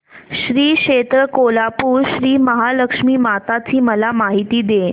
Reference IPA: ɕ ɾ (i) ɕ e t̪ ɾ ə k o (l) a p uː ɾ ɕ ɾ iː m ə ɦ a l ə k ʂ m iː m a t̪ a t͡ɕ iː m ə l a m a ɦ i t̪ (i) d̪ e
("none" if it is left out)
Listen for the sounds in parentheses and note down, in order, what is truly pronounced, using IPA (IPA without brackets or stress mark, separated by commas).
iː, l, iː